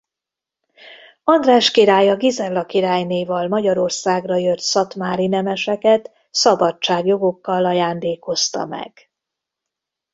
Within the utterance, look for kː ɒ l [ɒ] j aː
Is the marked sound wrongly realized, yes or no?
no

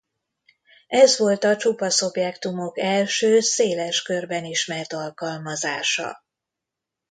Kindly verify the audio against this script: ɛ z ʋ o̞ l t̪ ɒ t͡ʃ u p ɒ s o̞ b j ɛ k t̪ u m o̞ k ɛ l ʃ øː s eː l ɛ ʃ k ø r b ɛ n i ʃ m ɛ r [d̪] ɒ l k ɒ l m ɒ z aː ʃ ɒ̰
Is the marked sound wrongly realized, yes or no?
yes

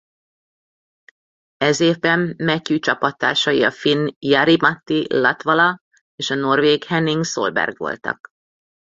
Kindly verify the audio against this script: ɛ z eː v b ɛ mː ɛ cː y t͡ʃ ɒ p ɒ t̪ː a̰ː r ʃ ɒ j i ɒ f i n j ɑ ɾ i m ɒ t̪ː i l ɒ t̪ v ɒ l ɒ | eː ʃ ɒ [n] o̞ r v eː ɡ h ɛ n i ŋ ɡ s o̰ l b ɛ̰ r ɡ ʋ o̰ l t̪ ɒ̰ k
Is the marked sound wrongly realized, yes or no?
no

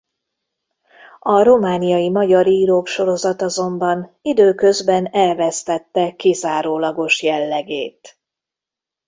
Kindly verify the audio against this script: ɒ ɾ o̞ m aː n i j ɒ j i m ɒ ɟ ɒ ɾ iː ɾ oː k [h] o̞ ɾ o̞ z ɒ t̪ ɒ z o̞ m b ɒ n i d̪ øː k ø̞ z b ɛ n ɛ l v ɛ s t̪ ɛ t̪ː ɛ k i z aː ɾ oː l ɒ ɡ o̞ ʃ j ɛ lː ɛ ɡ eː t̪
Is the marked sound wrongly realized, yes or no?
yes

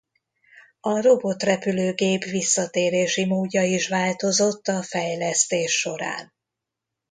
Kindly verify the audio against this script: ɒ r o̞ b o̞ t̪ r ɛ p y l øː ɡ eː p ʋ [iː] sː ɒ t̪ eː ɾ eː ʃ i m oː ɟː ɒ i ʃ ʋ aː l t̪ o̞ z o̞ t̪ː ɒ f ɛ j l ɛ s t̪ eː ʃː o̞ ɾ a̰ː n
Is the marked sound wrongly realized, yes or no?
yes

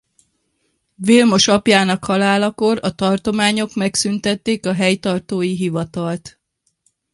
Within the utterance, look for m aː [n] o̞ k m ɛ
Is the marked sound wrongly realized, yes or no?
yes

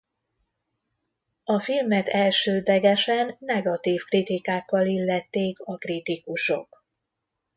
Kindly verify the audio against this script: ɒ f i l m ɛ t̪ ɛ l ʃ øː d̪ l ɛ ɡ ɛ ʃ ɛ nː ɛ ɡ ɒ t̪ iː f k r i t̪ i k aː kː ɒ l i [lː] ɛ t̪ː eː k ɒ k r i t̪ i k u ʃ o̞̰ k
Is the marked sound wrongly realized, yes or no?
no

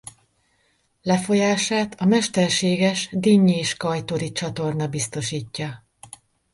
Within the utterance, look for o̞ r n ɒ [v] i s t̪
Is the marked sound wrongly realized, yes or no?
yes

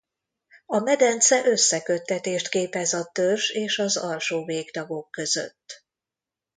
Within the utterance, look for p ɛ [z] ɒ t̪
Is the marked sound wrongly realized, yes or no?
no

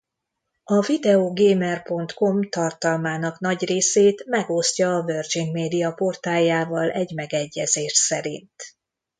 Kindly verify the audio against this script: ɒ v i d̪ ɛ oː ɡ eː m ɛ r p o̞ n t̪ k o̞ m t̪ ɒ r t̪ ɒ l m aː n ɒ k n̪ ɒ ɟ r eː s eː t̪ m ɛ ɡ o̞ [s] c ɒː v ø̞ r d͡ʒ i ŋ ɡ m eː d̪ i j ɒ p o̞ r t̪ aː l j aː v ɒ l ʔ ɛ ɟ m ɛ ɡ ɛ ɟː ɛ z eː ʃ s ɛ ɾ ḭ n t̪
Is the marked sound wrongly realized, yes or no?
no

